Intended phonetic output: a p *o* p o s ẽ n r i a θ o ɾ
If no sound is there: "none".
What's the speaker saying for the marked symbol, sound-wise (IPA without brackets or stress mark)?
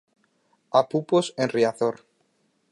u